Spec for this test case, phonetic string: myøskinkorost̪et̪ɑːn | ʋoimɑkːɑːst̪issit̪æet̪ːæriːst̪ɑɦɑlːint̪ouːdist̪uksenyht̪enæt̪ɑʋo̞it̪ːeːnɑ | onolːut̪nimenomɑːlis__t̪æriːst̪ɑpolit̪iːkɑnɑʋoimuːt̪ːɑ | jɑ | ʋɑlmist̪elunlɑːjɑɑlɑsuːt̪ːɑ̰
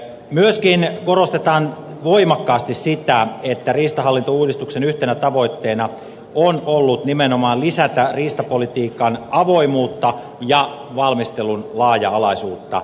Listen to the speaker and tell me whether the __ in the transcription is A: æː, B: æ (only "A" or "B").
B